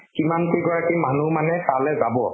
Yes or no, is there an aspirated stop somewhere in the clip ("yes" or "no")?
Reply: no